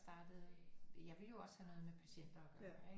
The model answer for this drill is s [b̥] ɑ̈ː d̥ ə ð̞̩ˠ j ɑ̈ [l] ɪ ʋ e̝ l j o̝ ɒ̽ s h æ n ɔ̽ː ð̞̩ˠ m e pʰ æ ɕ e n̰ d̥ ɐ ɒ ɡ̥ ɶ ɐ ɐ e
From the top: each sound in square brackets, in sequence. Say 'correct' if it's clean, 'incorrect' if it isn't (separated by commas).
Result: incorrect, incorrect